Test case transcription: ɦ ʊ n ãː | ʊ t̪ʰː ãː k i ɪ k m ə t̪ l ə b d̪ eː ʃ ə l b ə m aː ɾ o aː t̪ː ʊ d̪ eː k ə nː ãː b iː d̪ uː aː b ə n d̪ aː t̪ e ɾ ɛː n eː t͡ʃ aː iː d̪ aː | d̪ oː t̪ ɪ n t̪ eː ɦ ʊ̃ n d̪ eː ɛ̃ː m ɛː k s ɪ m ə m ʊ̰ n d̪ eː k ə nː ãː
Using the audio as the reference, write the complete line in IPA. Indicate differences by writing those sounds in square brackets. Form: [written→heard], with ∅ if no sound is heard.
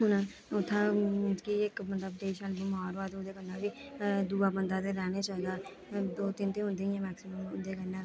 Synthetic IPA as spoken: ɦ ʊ n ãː | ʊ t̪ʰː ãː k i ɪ k m ə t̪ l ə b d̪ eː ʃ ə l b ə m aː ɾ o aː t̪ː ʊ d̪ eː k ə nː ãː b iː d̪ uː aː b ə n d̪ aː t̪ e ɾ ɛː n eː t͡ʃ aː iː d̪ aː | d̪ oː t̪ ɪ n t̪ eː ɦ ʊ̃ n d̪ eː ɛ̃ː m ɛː k s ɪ m ə m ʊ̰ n d̪ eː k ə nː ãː